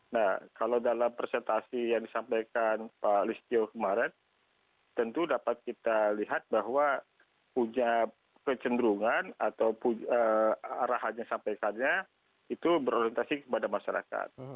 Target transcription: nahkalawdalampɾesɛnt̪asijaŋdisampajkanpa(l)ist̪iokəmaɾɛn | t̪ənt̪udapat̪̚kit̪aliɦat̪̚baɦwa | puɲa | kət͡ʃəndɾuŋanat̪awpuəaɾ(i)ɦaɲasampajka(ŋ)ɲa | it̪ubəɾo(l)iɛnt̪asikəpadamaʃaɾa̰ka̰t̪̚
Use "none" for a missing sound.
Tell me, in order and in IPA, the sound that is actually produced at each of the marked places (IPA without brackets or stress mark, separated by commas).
l, a, n, ɾ